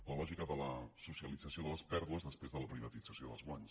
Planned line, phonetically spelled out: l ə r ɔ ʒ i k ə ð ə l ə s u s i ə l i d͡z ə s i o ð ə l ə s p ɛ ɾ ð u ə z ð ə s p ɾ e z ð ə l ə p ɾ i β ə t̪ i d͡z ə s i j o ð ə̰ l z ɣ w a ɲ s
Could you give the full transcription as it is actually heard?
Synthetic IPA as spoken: l ə l ɔ ʒ i k ə ð ə l ə s u s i ə l i d͡z ə s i o ð ə l ə s p ɛ ɾ ð u ə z ð ə s p ɾ e z ð ə l ə p ɾ i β ə t̪ i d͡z ə s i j o ð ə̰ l z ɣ w a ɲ s